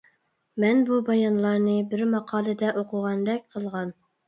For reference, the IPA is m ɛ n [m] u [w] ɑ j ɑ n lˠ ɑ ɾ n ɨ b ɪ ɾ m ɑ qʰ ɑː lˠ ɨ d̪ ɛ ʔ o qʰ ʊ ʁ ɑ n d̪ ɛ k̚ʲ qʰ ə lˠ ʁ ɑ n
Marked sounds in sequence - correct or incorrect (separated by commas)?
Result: incorrect, incorrect